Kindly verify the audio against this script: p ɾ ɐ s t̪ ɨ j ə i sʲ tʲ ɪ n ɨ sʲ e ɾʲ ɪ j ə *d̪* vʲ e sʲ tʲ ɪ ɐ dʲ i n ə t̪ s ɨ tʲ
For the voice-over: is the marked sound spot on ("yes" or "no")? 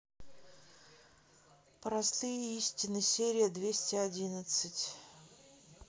yes